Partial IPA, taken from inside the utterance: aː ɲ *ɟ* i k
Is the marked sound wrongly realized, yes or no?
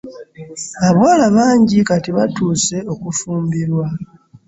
no